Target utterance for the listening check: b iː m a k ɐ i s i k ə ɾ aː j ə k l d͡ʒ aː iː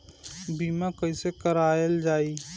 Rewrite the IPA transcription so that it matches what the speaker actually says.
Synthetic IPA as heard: b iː m a k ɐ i s e k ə ɾ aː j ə l d͡ʒ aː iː